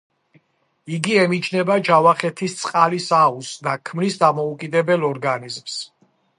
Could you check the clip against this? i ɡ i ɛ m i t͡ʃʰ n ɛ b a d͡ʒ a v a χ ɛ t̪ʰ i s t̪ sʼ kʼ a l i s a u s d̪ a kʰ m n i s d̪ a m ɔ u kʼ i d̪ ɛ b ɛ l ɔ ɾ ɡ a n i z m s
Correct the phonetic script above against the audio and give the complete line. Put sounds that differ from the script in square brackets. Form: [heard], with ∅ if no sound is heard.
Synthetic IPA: i ɡ i ɛ m i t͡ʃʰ n ɛ b a d͡ʒ a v a χ ɛ t̪ʰ i s t̪ sʼ [qʼ] a l i s a u s d̪ a kʰ m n i s d̪ a m ɔ u kʼ i d̪ ɛ b ɛ l ɔ ɾ ɡ a n i z m s